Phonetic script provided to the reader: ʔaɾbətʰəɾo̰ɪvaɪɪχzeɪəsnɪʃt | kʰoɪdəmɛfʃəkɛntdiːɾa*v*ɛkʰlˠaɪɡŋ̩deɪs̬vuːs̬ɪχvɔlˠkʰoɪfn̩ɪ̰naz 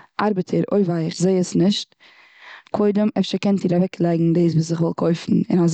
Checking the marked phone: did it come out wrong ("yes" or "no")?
no